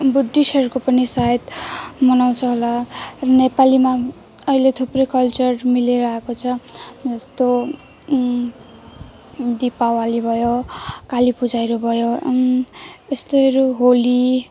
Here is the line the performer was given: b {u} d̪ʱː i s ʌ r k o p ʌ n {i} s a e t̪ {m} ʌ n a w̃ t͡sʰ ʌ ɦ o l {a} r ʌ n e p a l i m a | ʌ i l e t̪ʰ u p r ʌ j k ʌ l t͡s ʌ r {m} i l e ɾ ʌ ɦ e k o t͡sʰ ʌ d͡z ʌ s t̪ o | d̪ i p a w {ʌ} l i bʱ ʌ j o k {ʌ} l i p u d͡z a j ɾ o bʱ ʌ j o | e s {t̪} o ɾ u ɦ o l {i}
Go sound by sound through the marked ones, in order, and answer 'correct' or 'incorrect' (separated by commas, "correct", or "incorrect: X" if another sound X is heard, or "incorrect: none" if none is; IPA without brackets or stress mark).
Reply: correct, correct, correct, correct, correct, incorrect: a, incorrect: a, correct, correct